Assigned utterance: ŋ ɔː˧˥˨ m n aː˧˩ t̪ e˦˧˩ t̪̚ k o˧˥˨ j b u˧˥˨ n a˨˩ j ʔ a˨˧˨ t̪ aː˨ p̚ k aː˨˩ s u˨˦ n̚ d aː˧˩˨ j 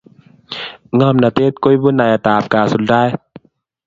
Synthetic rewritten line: ŋ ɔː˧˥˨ m n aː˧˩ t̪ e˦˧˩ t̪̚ k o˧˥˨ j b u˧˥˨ n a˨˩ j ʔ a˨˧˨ t̪ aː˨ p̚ k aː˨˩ s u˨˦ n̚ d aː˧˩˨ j